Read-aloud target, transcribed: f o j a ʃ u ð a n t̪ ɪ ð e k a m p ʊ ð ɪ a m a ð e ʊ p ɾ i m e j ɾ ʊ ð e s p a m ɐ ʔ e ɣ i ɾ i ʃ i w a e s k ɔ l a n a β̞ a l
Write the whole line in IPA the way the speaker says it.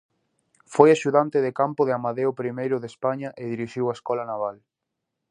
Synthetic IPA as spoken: f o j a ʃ u ð a n t̪ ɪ ð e k a m p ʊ ð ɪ a m a ð e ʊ p ɾ i m e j ɾ ʊ ð e s p a ɲ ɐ ʔ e ð i ɾ i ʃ i w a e s k ɔ l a n a β̞ a l